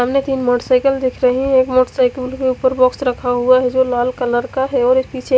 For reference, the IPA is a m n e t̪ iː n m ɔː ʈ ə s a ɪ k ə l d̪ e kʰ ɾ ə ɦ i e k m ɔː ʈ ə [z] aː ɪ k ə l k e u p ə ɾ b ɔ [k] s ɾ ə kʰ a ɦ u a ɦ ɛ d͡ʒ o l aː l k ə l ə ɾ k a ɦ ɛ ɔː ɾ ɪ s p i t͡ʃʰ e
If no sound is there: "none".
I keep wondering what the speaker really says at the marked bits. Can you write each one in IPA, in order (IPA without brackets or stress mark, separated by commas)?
s, k